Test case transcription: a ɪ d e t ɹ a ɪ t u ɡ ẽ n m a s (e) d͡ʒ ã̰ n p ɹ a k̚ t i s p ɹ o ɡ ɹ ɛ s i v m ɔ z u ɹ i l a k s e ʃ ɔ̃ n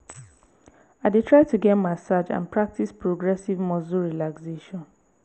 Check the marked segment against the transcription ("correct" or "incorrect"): incorrect